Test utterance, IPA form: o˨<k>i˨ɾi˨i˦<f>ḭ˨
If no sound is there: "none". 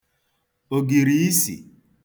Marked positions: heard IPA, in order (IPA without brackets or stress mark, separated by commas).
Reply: ɡ, s